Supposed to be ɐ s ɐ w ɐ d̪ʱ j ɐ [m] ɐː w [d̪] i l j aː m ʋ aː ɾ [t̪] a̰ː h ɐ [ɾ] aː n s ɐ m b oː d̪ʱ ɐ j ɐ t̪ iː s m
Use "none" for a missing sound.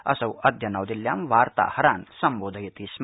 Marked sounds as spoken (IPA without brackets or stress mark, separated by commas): n, d̪, t̪, ɾ